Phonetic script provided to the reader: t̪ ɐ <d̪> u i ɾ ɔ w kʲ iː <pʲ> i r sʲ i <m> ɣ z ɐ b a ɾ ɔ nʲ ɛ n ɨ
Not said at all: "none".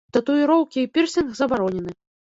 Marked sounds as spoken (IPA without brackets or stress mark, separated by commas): t̪, pʲ, n